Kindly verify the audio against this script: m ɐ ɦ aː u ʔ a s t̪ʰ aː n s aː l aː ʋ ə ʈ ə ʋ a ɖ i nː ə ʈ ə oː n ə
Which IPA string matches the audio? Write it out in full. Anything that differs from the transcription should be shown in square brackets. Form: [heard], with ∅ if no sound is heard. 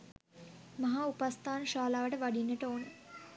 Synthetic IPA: m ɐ ɦ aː u [p] a s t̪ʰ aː n [ʃ] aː l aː ʋ ə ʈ ə ʋ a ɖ i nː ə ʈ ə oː n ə